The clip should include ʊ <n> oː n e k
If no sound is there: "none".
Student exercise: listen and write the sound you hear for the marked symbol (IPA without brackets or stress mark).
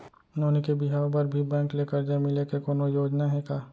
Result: n